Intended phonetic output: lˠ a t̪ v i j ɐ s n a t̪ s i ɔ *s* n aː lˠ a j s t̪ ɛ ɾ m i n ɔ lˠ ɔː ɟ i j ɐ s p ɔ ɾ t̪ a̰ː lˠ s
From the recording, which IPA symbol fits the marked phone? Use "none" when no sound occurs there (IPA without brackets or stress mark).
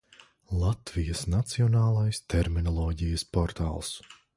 none